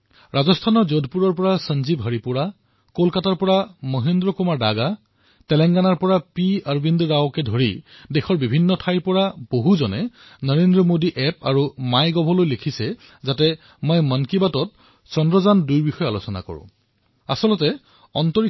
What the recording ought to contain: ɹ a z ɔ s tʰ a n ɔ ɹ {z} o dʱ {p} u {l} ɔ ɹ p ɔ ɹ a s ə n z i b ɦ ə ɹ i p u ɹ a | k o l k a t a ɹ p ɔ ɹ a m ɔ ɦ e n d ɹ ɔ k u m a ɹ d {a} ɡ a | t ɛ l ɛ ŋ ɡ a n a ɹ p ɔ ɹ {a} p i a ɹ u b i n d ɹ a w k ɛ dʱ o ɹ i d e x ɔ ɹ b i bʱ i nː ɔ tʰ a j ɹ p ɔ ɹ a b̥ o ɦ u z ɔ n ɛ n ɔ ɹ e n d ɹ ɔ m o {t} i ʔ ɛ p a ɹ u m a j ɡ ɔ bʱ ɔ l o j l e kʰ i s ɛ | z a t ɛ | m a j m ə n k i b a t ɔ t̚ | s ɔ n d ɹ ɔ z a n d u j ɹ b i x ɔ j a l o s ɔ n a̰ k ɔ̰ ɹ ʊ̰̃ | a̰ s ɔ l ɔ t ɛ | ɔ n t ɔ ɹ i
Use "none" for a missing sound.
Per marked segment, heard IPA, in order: z, p, ɹ, a, a, d

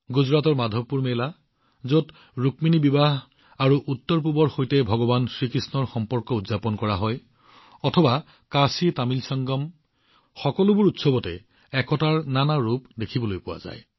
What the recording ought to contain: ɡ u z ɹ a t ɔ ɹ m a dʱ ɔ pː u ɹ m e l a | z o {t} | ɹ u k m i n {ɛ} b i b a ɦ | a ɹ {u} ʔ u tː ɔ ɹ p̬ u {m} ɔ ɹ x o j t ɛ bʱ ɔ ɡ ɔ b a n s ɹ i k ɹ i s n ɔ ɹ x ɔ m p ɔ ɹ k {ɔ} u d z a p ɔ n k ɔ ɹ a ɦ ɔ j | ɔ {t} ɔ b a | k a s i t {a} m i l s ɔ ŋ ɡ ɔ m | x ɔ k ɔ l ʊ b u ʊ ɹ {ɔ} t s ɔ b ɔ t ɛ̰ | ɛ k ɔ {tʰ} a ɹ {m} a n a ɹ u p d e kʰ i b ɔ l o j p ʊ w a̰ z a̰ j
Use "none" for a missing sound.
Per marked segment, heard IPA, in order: t, i, u, b, ɔ, tʰ, a, u, t, n

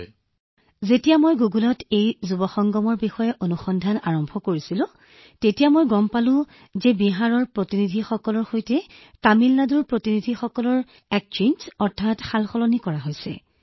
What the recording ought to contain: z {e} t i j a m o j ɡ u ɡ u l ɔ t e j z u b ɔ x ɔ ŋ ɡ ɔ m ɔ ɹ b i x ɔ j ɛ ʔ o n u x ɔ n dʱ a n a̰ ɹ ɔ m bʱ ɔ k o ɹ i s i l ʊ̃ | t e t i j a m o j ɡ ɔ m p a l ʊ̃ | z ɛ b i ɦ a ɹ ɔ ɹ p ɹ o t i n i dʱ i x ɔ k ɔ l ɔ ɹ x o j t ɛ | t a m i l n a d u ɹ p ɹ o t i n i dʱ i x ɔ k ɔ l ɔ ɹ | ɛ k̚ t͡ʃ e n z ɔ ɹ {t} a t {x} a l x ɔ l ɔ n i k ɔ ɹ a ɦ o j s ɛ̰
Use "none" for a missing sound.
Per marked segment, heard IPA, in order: e, tʰ, x

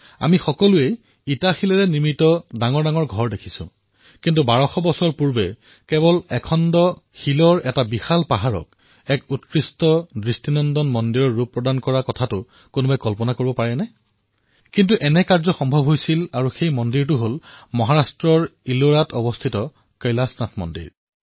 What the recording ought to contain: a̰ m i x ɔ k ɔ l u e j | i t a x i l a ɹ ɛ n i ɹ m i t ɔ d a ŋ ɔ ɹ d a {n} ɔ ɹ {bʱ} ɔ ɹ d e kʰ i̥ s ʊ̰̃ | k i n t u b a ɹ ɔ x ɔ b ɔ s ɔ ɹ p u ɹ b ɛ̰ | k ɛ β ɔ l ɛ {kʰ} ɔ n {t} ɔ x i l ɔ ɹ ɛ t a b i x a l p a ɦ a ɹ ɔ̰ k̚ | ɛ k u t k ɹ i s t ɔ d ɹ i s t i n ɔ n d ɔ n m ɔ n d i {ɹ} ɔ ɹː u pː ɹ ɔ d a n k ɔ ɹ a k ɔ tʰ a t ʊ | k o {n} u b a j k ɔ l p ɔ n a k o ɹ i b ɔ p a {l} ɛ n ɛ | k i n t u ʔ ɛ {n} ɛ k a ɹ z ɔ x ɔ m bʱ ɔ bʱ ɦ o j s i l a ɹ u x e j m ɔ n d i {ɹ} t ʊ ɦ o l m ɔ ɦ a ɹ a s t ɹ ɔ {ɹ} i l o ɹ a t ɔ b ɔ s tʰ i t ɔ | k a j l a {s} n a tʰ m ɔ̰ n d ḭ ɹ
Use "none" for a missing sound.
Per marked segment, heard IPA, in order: ŋ, ɡʱ, kʰ, d, ɹ, n, ɹ, n, ɹ, ɹ, s

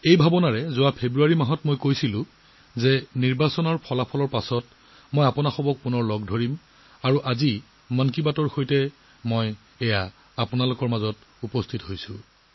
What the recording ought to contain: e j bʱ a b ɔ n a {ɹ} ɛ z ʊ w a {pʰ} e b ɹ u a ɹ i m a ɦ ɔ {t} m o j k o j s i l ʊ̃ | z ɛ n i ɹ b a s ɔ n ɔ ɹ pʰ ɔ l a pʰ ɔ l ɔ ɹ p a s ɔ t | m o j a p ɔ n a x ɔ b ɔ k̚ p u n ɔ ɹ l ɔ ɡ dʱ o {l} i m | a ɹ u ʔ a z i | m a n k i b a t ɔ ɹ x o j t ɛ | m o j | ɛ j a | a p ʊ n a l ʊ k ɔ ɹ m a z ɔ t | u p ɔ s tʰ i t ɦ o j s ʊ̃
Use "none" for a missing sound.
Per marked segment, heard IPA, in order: ɹ, pʰ, t, ɹ

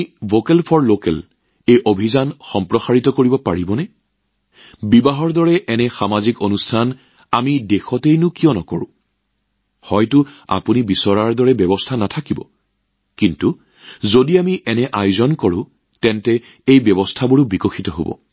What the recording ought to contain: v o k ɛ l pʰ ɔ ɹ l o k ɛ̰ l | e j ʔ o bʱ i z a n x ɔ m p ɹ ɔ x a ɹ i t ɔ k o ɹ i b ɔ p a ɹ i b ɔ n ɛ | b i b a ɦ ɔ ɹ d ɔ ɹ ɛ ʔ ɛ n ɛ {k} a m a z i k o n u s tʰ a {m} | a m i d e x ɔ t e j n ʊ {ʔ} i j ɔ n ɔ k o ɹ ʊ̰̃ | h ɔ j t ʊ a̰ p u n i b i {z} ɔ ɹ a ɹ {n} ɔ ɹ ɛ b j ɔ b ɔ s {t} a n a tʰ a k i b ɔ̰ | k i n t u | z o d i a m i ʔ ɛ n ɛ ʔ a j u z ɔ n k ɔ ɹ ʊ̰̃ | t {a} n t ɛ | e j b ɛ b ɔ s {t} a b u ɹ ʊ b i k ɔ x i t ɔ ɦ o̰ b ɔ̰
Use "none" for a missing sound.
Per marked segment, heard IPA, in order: x, n, k, s, d, tʰ, ɛ, tʰ

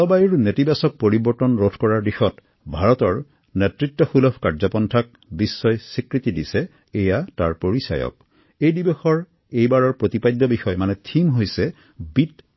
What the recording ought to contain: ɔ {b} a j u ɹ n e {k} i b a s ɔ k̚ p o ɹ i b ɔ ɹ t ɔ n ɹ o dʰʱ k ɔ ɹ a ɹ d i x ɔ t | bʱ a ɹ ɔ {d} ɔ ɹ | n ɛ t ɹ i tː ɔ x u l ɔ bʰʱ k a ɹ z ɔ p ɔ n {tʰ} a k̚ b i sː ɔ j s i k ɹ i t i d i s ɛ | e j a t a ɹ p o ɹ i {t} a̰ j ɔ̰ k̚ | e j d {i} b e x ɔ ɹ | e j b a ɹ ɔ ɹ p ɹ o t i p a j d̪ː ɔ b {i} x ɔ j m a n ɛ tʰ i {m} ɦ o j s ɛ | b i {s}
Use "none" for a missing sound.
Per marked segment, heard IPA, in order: b, t, t, tʰ, s, i, i, m, t

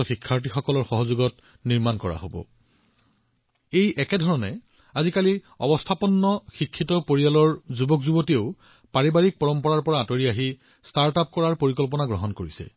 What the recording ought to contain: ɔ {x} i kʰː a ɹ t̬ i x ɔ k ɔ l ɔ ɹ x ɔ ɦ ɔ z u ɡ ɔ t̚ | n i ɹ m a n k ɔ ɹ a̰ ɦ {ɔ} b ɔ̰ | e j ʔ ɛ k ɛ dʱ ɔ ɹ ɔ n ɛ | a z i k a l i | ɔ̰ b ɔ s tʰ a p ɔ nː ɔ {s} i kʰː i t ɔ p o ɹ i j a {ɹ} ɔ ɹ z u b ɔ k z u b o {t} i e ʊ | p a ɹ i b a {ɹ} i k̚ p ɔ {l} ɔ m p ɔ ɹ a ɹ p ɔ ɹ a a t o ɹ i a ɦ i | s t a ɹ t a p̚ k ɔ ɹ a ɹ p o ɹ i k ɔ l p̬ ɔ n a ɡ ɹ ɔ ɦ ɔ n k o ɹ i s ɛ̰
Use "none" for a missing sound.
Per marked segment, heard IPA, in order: x, o, x, l, t, ɹ, ɹ

